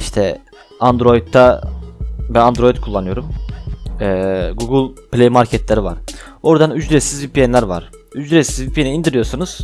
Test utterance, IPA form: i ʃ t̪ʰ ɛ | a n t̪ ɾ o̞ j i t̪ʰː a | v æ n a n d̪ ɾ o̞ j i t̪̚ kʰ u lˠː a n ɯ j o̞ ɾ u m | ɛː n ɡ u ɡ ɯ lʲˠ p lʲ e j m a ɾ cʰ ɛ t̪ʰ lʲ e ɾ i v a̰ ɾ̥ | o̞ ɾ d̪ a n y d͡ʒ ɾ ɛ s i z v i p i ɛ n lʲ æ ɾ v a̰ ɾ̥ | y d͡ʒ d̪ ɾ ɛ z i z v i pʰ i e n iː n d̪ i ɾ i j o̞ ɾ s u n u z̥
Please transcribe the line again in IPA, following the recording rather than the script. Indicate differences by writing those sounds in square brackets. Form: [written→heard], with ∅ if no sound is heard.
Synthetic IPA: i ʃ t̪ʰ ɛ | a n [t̪→d̪] ɾ o̞ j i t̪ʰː a | [v→b] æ n a n d̪ ɾ o̞ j i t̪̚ kʰ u lˠː a n ɯ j o̞ ɾ u m | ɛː [n→∅] ɡ u ɡ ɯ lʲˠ p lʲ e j m a ɾ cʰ ɛ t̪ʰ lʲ e ɾ i v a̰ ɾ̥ | o̞ ɾ d̪ a n y d͡ʒ ɾ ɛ s i z v i p i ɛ n lʲ æ ɾ v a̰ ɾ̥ | y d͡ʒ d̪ ɾ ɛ [z→s] i z v i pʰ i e n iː n d̪ i ɾ i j o̞ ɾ s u n u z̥